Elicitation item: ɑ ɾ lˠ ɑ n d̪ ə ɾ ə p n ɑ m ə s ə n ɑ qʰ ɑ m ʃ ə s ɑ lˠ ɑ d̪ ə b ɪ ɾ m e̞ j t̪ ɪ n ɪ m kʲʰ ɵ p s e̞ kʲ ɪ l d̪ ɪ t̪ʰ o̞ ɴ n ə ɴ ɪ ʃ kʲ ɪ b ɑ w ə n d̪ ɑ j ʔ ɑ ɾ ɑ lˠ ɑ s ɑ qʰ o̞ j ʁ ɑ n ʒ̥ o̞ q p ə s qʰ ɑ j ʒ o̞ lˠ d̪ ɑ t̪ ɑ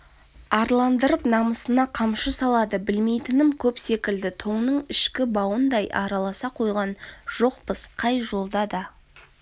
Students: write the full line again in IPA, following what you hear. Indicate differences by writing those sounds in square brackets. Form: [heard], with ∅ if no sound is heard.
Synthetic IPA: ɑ ɾ lˠ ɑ n d̪ ə ɾ ə p n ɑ m ə s ə n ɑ qʰ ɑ m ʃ ə s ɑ lˠ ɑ d̪ ə b ɪ [l] m e̞ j t̪ ɪ n ɪ m kʲʰ ɵ p s e̞ kʲ ɪ l d̪ ɪ t̪ʰ o̞ ɴ n ə ɴ ɪ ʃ kʲ ɪ b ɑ w ə n d̪ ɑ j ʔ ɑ ɾ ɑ lˠ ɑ s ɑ qʰ o̞ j ʁ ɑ n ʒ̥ o̞ q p ə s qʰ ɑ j ʒ o̞ lˠ d̪ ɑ [d̪] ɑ